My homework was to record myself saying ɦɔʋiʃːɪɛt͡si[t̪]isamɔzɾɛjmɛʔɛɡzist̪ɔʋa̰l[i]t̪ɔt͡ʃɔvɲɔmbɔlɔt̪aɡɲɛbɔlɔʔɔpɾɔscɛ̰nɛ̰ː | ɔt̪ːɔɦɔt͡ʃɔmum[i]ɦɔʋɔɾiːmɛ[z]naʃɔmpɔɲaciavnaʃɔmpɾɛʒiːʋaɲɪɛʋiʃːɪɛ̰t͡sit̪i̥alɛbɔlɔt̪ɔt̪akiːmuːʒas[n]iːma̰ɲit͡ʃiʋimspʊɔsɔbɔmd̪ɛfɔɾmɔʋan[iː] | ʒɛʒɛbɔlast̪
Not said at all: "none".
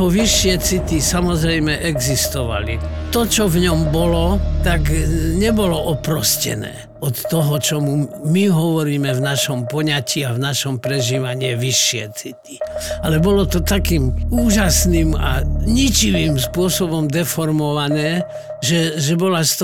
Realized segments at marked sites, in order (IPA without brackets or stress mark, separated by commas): t̪, i, i, v, n, ɛː